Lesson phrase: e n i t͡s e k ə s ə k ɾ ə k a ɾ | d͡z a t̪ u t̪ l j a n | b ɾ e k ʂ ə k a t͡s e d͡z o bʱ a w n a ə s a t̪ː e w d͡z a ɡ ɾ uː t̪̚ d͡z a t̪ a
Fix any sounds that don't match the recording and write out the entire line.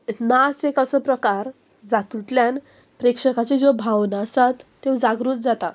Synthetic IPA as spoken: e n a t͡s e k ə s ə p ɾ ə k a ɾ | d͡z a t̪ u t̪ l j a n | p ɾ e k ʂ ə k a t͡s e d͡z o bʱ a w n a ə s a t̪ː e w d͡z a ɡ ɾ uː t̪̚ d͡z a t̪ a